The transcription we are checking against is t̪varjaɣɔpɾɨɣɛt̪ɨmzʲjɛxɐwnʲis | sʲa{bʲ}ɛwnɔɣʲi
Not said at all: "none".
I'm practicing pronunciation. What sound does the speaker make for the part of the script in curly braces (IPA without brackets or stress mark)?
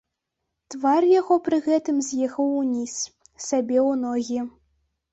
bʲ